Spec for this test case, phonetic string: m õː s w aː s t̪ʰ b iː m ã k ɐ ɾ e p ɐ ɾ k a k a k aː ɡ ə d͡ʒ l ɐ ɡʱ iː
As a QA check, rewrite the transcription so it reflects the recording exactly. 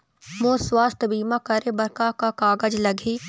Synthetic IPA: m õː s w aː s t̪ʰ b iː m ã k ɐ ɾ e b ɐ ɾ k a k a k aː ɡ ə d͡ʒ l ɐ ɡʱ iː